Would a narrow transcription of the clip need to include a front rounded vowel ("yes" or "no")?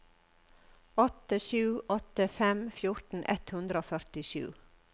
yes